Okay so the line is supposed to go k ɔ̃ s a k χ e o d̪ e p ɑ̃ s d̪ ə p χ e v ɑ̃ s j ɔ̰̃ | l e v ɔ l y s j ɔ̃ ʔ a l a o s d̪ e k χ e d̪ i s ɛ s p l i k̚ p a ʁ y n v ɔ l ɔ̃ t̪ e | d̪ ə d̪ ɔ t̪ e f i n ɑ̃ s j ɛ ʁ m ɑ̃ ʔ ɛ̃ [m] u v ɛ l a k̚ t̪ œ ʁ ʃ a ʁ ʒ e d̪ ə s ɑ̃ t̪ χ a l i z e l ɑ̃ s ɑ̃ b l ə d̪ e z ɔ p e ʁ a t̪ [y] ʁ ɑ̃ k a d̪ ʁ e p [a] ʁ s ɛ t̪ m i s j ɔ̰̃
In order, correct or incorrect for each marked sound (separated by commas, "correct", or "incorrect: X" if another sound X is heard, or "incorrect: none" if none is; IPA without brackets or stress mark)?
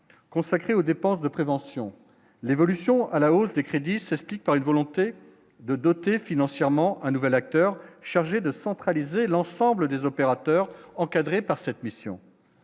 incorrect: n, incorrect: œ, correct